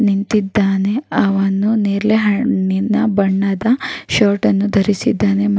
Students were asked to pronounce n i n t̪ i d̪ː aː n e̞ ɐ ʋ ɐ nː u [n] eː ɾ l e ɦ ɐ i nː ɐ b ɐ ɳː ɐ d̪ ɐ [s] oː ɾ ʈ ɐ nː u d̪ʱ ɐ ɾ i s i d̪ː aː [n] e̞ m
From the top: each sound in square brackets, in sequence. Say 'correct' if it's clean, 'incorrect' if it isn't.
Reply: correct, incorrect, correct

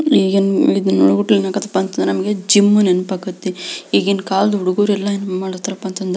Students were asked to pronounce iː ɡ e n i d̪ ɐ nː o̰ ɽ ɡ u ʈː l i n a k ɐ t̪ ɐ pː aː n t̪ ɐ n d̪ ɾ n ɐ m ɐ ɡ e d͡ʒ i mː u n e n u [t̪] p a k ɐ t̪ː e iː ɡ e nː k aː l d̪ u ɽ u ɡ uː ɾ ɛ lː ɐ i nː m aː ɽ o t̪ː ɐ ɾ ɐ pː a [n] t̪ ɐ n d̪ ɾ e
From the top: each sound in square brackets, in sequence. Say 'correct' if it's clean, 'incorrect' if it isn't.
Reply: incorrect, correct

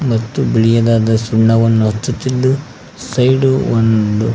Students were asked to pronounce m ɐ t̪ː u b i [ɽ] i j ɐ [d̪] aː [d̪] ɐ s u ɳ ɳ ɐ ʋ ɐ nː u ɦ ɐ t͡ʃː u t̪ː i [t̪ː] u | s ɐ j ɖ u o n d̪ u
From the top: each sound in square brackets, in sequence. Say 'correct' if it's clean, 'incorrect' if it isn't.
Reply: incorrect, correct, correct, incorrect

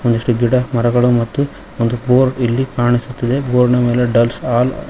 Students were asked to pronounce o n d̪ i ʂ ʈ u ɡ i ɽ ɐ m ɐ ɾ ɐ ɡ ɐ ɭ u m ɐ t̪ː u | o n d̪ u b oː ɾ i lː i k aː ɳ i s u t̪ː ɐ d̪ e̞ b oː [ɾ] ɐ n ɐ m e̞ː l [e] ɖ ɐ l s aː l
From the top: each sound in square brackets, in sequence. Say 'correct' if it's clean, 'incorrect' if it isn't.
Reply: correct, correct

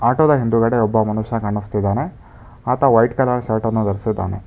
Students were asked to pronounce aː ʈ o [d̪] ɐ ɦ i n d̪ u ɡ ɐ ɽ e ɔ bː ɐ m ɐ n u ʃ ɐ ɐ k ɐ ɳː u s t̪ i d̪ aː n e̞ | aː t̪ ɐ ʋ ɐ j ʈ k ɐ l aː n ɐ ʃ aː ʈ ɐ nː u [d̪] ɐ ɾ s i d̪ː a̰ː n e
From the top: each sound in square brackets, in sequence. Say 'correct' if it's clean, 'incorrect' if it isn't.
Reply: correct, correct

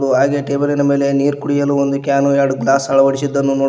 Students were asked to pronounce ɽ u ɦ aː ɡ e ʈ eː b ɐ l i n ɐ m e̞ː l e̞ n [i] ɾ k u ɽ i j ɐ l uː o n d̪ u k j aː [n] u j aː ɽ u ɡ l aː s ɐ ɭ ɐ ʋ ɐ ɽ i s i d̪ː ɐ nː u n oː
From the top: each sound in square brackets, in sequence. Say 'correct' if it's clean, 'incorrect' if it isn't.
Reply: incorrect, correct

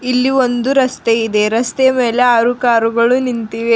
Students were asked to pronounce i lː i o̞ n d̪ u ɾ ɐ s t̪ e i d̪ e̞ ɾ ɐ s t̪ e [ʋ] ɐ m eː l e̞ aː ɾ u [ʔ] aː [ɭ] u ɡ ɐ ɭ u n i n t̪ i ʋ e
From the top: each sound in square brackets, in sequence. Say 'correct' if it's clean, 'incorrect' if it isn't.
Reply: incorrect, incorrect, incorrect

